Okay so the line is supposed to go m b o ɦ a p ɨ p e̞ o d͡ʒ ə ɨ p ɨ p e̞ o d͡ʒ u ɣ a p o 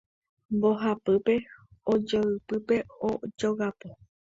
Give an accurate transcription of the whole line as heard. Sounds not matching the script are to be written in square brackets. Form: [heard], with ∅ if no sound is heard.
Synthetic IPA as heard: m b o ɦ a p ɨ p e̞ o d͡ʒ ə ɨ p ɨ p e̞ o d͡ʒ [o] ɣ a p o